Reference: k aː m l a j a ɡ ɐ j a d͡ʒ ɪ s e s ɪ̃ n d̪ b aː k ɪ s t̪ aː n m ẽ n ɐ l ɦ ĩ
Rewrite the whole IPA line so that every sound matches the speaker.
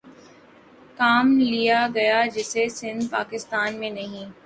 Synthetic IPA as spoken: k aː m l i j a ɡ ɐ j a d͡ʒ ɪ s e s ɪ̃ n d̪ p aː k ɪ s t̪ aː n m ẽ n ɐ ɦ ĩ